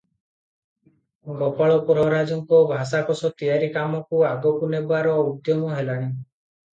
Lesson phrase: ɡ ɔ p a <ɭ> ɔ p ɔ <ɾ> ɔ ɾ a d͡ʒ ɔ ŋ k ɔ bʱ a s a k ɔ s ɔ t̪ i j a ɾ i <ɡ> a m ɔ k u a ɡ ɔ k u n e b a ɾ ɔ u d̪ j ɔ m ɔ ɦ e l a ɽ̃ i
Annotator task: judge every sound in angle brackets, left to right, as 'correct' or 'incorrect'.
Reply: correct, correct, incorrect: k

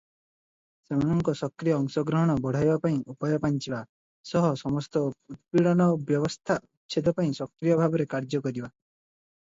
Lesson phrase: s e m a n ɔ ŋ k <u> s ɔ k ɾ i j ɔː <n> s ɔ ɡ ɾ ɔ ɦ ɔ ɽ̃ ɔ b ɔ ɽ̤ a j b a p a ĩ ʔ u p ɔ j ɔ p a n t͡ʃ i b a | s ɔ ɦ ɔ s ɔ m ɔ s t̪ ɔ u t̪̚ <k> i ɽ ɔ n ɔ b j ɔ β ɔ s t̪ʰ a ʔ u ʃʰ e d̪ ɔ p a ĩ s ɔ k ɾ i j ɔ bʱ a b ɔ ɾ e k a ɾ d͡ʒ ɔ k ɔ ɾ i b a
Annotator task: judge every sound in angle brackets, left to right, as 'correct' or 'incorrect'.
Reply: incorrect: ɔ, incorrect: ŋ, incorrect: p

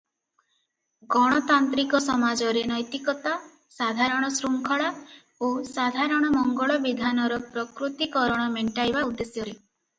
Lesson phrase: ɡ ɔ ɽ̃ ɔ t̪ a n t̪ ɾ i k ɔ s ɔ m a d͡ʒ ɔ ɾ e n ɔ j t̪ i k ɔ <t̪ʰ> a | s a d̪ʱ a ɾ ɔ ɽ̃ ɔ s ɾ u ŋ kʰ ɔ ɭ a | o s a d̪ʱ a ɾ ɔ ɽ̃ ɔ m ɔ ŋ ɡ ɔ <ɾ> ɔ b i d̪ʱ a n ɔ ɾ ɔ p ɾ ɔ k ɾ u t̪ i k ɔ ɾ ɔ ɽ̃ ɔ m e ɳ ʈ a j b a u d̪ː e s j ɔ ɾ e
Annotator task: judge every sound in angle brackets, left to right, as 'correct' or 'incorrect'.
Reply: incorrect: t̪, incorrect: ɭ

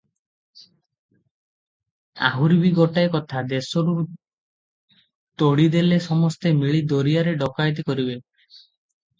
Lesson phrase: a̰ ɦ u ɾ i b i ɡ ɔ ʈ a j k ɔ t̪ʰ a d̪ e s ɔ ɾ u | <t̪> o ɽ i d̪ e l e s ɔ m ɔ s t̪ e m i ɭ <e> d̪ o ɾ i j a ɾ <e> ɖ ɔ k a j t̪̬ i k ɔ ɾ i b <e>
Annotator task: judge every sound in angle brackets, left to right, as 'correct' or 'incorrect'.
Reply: correct, incorrect: i, correct, correct

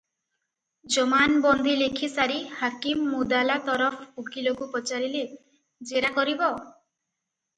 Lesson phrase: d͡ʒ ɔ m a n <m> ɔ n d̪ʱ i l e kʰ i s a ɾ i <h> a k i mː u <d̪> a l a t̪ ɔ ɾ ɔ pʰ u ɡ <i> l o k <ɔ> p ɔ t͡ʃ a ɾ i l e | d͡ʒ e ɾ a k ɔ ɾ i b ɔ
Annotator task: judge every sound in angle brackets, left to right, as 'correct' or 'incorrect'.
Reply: incorrect: b, correct, correct, correct, incorrect: u

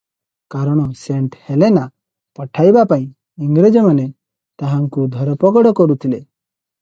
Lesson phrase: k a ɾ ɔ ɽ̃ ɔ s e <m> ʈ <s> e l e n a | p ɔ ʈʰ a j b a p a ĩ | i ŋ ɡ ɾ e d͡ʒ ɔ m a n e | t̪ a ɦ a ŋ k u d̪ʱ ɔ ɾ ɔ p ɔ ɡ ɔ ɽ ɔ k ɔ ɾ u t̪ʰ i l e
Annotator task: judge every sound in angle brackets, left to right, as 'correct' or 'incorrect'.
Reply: incorrect: ɳ, incorrect: h

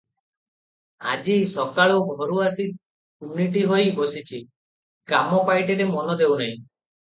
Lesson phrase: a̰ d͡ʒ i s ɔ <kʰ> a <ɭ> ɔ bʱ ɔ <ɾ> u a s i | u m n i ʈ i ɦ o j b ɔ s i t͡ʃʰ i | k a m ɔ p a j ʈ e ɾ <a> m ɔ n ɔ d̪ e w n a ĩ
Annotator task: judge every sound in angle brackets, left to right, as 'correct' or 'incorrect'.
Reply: incorrect: k, correct, correct, incorrect: e

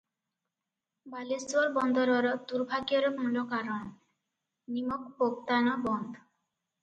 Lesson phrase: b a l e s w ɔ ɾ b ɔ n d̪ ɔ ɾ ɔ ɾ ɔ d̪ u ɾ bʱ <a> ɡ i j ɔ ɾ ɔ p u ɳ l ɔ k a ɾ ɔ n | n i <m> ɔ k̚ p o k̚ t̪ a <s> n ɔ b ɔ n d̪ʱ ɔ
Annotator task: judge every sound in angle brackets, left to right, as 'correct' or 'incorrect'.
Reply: correct, correct, incorrect: none

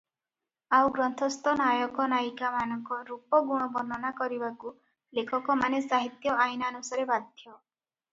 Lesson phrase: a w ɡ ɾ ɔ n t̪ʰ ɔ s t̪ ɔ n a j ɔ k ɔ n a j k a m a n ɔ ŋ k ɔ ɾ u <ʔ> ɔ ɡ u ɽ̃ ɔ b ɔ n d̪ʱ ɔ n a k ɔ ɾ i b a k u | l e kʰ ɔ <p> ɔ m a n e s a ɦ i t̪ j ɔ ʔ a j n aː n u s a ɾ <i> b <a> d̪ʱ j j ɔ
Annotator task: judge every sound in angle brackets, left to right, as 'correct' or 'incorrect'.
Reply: incorrect: p, incorrect: k, incorrect: e, correct

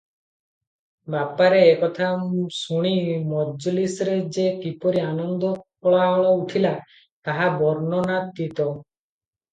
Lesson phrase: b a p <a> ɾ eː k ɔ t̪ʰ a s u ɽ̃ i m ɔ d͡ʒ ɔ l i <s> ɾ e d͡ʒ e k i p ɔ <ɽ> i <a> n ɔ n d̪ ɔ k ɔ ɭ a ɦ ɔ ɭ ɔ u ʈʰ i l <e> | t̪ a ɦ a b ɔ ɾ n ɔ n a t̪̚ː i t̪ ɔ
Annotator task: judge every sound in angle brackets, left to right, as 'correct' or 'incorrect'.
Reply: correct, correct, incorrect: ɾ, correct, incorrect: a

